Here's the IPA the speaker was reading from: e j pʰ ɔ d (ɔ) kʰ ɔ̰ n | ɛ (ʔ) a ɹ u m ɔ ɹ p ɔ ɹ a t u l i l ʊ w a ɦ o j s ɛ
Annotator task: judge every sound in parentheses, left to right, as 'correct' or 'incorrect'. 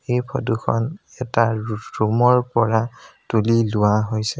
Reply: incorrect: u, incorrect: t

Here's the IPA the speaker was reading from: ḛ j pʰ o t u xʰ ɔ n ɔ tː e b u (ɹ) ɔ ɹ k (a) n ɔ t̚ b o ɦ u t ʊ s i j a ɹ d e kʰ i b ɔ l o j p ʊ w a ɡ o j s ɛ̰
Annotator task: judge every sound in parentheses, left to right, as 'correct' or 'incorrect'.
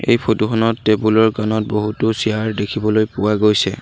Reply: incorrect: l, correct

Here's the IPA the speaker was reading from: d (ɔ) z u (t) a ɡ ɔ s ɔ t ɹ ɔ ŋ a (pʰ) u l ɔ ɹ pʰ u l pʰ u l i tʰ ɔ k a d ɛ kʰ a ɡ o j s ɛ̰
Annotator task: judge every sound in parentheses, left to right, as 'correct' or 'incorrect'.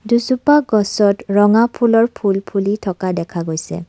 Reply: incorrect: u, incorrect: p, correct

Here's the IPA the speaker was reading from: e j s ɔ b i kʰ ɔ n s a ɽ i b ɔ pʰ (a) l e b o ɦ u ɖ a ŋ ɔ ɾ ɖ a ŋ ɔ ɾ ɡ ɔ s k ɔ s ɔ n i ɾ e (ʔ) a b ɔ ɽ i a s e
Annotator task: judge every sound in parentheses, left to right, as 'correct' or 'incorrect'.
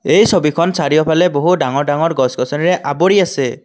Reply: correct, correct

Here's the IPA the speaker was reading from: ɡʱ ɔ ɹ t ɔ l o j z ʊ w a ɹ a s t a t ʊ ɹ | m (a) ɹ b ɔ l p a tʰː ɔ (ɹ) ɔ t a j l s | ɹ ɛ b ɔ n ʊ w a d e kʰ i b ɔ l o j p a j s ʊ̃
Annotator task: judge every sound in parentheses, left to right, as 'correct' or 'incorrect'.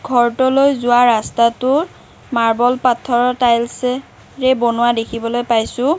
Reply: correct, correct

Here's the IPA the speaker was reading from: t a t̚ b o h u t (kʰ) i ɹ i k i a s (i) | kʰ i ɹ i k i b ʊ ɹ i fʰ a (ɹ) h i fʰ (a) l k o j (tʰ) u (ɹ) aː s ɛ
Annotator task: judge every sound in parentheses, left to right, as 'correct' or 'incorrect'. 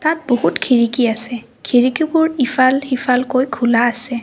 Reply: correct, incorrect: ɛ, incorrect: l, correct, incorrect: kʰ, incorrect: l

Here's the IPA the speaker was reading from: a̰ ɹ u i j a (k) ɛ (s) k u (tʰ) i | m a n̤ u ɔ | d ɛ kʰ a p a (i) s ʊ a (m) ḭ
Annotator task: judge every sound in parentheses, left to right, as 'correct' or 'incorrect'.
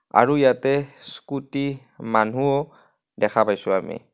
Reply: incorrect: t, correct, incorrect: t, incorrect: j, correct

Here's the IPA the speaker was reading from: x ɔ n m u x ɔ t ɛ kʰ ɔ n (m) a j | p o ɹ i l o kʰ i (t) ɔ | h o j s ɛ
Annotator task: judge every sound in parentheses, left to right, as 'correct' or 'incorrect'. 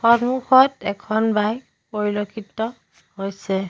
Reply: incorrect: b, correct

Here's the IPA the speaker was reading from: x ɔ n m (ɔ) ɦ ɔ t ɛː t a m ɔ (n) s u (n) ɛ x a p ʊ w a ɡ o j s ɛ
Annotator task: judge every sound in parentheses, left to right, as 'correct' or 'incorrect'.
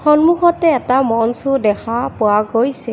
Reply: incorrect: u, correct, incorrect: d

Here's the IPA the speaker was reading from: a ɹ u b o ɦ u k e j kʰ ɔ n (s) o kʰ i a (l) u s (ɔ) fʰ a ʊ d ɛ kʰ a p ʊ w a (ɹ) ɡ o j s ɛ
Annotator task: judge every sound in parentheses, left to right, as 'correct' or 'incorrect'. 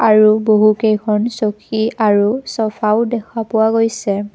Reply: correct, incorrect: ɹ, correct, incorrect: none

